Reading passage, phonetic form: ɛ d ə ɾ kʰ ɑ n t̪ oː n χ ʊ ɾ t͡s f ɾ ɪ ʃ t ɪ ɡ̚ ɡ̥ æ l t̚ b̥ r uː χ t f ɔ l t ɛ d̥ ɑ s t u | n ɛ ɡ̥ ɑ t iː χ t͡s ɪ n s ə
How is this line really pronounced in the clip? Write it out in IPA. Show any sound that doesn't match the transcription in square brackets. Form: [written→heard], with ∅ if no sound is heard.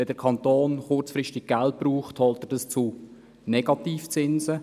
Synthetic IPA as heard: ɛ d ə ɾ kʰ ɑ n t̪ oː n χ ʊ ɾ t͡s f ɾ ɪ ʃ t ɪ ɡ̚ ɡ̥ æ l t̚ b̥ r uː χ t [f→h] ɔ l t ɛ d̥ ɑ s [t→t͡s] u | n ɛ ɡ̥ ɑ t iː [χ→f] t͡s ɪ n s ə

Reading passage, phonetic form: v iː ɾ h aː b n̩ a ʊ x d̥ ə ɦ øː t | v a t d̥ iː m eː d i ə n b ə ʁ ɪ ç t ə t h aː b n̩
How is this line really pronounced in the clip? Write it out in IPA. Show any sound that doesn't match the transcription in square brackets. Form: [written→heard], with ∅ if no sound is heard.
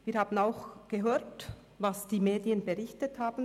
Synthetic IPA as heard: v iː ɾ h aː b n̩ a ʊ x [d̥→ɡ̥] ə ɦ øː t | v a [t→s] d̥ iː m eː d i ə n b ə ʁ ɪ ç t ə t h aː b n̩

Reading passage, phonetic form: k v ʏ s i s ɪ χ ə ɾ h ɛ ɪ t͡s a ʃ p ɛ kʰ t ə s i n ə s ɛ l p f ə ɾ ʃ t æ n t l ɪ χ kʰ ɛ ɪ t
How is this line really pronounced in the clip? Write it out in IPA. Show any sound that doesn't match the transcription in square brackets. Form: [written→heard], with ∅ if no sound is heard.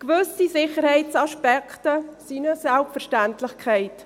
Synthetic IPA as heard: k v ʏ s i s ɪ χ ə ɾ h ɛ ɪ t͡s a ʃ p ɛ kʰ t ə s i n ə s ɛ l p f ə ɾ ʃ t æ n t l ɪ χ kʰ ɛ ɪ t

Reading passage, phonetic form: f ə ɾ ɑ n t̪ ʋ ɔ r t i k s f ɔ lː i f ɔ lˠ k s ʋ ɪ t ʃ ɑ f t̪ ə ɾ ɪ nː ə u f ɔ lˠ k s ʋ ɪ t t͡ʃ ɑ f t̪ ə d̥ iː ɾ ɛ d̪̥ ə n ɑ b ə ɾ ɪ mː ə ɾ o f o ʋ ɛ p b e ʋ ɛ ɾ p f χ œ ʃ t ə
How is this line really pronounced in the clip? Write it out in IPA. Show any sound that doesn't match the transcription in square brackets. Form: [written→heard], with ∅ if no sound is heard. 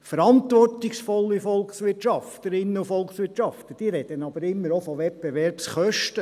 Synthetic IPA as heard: f ə ɾ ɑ n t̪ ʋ ɔ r t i k s f ɔ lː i f ɔ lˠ k s ʋ ɪ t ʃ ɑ f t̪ ə ɾ ɪ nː ə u f ɔ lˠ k s ʋ ɪ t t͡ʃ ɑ f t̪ ə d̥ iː ɾ ɛ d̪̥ ə n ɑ b ə ɾ ɪ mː ə ɾ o f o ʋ ɛ p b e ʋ ɛ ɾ p [f→s] χ œ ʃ t ə

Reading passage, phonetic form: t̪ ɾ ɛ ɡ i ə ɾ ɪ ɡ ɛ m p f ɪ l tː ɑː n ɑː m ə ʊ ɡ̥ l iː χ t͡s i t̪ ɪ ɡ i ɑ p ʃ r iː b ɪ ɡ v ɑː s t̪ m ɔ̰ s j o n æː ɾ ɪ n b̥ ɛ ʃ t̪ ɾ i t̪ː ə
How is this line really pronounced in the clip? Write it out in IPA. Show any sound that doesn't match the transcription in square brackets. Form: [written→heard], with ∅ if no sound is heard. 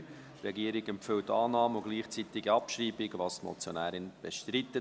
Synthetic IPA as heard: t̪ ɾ ɛ ɡ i ə ɾ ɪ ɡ ɛ m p f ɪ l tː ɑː n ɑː m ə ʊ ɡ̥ l iː χ t͡s i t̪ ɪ ɡ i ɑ p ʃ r iː b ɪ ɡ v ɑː s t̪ m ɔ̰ [s→t͡s] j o n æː ɾ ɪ n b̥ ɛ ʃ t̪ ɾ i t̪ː ə

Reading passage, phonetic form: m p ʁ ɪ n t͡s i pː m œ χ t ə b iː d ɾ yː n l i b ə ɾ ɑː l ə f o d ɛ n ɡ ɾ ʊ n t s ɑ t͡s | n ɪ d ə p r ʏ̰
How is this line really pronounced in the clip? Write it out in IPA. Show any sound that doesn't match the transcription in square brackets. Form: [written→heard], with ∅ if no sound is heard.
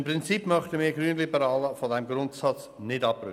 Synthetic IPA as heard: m p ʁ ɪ n t͡s i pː m œ χ t ə [b→m] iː [d→ɡ] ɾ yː n l i b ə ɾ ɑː l ə f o d ɛ [n→m] ɡ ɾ ʊ n t s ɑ t͡s | n ɪ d [ə→ɑ] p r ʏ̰

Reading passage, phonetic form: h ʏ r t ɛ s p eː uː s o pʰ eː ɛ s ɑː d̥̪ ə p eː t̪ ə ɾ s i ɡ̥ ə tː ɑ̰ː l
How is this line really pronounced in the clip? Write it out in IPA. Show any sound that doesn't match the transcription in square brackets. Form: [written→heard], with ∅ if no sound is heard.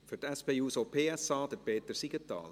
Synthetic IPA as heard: [h→f] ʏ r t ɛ s p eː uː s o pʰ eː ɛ s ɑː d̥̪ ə p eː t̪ ə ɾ s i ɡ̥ ə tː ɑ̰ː l

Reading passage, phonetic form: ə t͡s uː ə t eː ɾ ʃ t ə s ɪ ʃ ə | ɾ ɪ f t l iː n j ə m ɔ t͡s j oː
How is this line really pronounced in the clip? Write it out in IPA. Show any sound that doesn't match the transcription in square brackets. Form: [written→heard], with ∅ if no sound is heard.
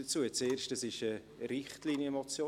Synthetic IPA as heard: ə t͡s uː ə [t→t͡s] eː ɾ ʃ t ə s ɪ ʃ ə | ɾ ɪ [f→χ] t l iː n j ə m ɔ t͡s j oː

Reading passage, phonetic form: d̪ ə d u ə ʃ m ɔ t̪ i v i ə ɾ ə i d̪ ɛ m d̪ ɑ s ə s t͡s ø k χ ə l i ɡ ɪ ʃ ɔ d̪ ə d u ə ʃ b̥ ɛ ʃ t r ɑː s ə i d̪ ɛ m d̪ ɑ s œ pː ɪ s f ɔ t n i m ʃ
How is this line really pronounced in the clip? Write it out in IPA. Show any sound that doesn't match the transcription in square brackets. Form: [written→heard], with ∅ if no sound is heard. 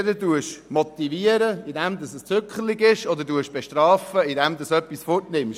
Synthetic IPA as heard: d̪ ə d u ə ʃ m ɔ t̪ i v i ə ɾ ə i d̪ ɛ m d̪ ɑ s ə s t͡s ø k χ ə l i ɡ ɪ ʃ ɔ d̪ ə d u ə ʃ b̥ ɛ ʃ t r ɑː [s→f] ə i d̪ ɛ m d̪ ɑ s œ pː [ɪ→i] s f ɔ t n [i→ɪ] m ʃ

